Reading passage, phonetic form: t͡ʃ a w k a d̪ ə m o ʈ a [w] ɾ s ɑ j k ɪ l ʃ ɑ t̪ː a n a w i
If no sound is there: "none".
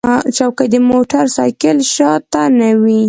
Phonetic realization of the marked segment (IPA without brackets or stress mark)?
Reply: none